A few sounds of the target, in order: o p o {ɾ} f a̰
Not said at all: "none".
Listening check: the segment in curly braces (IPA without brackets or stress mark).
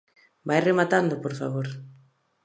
ɾ